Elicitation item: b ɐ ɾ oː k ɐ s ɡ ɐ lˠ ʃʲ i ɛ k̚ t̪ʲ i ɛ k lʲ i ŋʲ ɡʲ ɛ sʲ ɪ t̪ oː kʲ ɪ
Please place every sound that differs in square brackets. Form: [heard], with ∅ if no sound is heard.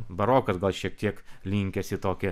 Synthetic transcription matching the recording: b ɐ ɾ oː k ɐ s ɡ ɐ lˠ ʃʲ i ɛ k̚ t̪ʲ i ɛ k lʲ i ŋʲ [kʲ] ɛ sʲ ɪ t̪ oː kʲ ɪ